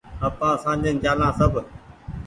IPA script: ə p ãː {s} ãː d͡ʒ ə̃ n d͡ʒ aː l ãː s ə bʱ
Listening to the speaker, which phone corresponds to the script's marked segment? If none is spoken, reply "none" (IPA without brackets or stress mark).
s